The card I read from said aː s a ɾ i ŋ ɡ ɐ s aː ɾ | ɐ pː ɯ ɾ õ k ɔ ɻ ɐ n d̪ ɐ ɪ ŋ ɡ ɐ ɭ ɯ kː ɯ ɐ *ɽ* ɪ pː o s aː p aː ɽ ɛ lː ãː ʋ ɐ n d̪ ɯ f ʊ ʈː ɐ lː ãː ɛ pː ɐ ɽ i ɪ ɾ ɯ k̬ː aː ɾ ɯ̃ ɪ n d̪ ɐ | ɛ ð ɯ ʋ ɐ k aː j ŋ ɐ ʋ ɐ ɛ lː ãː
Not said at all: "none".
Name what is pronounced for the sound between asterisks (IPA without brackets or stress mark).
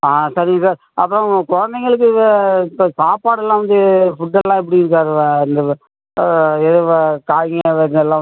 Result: none